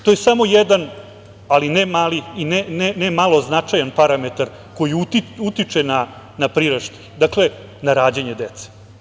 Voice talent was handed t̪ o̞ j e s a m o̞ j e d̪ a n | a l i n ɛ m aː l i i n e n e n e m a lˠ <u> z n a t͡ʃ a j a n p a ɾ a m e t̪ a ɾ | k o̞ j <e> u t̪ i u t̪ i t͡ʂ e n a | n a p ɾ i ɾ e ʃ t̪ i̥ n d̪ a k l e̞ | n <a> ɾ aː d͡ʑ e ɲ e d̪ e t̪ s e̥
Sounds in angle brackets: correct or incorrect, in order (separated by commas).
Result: incorrect, incorrect, correct